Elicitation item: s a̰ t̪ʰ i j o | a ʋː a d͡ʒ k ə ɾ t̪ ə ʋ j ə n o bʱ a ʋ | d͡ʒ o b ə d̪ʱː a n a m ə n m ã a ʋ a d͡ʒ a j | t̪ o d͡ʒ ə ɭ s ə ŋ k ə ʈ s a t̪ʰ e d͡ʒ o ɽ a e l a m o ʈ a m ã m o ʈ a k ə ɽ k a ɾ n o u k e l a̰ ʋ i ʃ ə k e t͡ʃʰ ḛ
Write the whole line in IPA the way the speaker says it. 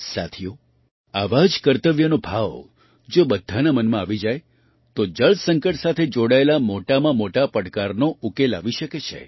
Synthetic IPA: s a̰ t̪ʰ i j o | a ʋ a d͡ʒ k ə ɾ t̪ ə ʋ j ə n o bʱ a ʋ | d͡ʒ o b ə d̪ʱː a n a m ə n m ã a ʋ i d͡ʒ a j | t̪ o d͡ʒ ə ɭ s ə ŋ k ə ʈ s a t̪ʰ e d͡ʒ o ɽ a e l a m o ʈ a m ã m o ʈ a p ə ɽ k a ɾ n o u k e l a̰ ʋ i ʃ ə k e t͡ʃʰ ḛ